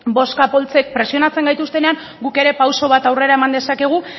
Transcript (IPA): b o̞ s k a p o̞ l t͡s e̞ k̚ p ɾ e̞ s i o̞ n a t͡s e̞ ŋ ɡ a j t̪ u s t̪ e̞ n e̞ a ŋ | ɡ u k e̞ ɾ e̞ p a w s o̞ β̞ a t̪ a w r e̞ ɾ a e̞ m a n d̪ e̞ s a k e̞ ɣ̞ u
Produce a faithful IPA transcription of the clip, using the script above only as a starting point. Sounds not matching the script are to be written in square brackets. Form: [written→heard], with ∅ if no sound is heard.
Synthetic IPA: b o̞ s k a p o̞ l t͡s e̞ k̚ p ɾ e̞ s i o̞ n a t͡s e̞ ŋ ɡ a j t̪ u s t̪ e̞ n e̞ a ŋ | ɡ u k e̞ ɾ e̞ p a w s o̞ β̞ a t̪ a w r e̞ ɾ a e̞ m a n d̪ e̞ s a k e̞ ɣ̞ u